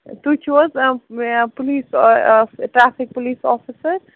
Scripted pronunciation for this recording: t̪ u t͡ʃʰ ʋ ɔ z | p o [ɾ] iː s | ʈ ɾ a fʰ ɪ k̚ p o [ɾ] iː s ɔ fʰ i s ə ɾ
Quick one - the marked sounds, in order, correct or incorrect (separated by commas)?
incorrect, incorrect